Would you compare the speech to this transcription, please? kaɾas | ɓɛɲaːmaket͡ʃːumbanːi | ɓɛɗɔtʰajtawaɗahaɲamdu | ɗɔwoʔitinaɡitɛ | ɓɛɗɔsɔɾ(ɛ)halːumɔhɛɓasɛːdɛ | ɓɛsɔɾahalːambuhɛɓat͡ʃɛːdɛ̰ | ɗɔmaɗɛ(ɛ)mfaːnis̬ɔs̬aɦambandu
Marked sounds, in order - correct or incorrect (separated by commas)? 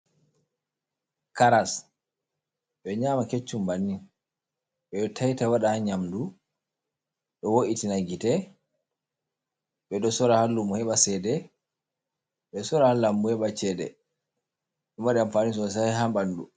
incorrect, incorrect